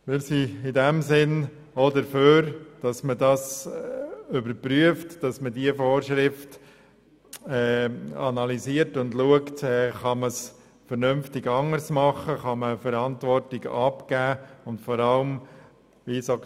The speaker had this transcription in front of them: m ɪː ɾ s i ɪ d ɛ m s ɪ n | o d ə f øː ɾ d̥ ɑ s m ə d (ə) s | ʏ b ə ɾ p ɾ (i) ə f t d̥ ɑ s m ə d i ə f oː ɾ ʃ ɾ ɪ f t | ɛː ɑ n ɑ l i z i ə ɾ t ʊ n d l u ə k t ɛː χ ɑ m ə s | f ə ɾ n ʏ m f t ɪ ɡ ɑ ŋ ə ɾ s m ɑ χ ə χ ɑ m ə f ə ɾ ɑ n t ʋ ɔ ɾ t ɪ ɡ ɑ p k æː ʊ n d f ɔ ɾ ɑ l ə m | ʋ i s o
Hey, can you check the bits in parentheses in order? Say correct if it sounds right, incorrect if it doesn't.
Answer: incorrect: ɑ, incorrect: y

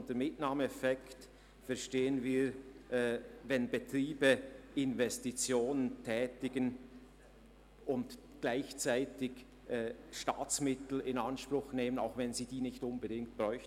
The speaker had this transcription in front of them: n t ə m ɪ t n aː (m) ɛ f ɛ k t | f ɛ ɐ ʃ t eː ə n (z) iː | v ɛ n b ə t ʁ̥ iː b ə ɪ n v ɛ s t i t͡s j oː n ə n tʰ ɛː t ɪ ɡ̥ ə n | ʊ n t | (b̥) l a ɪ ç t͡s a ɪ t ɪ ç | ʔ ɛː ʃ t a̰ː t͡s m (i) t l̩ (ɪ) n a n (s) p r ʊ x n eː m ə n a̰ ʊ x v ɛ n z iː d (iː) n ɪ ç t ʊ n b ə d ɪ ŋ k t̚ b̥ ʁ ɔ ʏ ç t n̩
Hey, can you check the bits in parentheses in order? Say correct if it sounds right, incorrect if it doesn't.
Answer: correct, incorrect: v, incorrect: ɡ̥, incorrect: ɪ, correct, incorrect: ʃ, correct

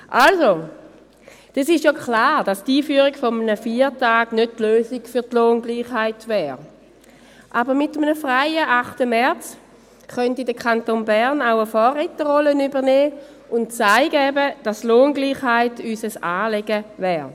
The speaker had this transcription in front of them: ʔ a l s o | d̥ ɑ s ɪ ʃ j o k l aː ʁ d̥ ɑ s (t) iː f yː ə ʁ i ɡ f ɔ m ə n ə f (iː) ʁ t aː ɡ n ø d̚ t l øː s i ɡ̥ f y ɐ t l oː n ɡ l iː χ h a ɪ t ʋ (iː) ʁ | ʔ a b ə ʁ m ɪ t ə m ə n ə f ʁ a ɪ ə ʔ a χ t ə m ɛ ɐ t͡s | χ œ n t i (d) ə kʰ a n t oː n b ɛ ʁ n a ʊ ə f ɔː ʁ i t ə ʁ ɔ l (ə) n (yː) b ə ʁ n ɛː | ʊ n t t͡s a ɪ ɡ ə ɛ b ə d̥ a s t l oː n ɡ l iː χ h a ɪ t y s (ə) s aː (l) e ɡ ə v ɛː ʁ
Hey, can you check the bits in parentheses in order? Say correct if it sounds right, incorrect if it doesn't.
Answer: correct, correct, incorrect: ɛː, correct, correct, incorrect: y, correct, correct

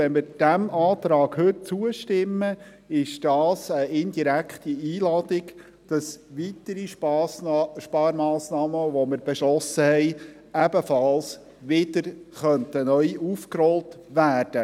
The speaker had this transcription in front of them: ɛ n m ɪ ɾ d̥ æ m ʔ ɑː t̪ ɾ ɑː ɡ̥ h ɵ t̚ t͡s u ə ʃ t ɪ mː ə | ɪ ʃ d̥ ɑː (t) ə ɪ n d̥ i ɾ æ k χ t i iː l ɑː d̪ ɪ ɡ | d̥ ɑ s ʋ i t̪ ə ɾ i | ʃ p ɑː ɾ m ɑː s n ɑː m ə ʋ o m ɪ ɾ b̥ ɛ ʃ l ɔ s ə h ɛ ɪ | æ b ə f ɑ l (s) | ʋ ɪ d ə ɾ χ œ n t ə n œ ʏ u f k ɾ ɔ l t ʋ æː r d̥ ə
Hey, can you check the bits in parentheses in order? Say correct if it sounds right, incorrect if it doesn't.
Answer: incorrect: s, correct

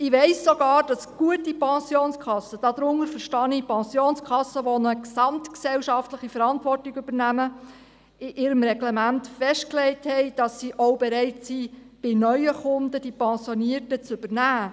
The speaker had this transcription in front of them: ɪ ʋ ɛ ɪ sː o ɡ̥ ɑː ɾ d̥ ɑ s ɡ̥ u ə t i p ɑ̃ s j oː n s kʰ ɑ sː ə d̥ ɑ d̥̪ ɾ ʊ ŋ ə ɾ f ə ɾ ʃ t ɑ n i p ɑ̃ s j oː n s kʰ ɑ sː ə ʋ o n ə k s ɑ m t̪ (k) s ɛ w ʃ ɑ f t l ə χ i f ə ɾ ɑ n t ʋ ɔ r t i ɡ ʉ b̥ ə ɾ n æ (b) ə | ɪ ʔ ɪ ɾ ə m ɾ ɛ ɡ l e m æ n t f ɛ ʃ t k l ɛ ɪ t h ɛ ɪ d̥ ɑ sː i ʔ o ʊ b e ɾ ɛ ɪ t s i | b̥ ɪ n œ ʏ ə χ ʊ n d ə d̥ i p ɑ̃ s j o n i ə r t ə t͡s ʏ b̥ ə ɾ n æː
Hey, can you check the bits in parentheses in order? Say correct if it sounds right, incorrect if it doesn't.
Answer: correct, incorrect: m

